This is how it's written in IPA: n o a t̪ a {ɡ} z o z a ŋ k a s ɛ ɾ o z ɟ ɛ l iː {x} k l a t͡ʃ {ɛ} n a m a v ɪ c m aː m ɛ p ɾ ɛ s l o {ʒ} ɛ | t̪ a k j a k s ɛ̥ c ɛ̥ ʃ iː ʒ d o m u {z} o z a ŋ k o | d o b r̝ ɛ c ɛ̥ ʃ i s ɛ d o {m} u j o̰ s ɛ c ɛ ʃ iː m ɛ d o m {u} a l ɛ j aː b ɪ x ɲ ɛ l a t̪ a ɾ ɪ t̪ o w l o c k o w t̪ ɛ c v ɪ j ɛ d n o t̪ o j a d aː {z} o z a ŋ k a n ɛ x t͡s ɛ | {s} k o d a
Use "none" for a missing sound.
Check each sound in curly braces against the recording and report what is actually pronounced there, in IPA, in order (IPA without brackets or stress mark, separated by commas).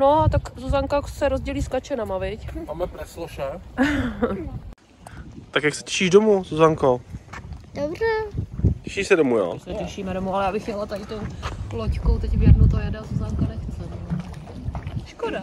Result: k, s, ɛ, ʃ, z, m, u, z, ʃ